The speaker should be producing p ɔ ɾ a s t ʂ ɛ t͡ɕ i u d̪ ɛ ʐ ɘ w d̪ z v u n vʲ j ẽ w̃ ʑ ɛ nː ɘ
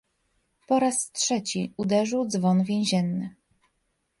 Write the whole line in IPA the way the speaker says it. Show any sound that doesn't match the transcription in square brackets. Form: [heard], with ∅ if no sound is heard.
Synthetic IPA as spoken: p ɔ ɾ a s t ʂ ɛ t͡ɕ i u d̪ ɛ ʐ ɘ w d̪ z v [ɔ] n vʲ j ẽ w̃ ʑ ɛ nː ɘ